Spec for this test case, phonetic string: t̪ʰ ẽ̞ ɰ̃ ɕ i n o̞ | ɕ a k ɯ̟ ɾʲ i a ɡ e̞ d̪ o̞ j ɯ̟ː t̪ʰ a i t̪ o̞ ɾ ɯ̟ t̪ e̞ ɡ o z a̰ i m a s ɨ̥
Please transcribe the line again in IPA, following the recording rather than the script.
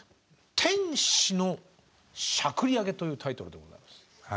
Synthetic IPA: t̪ʰ ẽ̞ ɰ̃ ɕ i n o̞ | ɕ a k ɯ̟ ɾʲ i a ɡ e̞ t̪ o̞ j ɯ̟ː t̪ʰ a i t̪ o̞ ɾ ɯ̟ d̪ e̞ ɡ o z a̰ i m a s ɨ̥